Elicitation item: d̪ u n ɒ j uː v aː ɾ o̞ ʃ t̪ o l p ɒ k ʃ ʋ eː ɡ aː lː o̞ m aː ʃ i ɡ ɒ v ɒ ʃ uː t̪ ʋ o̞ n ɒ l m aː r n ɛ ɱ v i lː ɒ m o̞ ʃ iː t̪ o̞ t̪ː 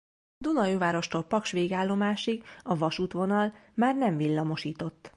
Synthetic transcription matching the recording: d̪ u n ɒ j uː v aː ɾ o̞ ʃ t̪ o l p ɒ k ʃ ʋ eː ɡ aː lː o̞ m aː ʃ i ɡ ɒ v ɒ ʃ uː t̪ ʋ o̞ n ɒ l m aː r n ɛ ɱ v i lː ɒ m o̞ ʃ iː t̪ o̞ t̪ː